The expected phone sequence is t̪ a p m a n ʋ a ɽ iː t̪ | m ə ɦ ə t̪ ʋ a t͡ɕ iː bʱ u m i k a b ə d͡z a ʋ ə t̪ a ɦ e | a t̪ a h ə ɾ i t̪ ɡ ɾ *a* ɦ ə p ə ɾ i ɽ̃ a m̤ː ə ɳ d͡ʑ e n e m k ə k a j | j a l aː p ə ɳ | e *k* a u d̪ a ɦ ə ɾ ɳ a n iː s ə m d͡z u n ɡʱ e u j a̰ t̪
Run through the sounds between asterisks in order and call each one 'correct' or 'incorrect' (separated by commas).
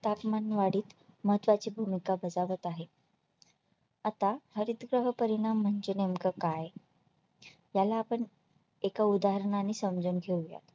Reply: incorrect, correct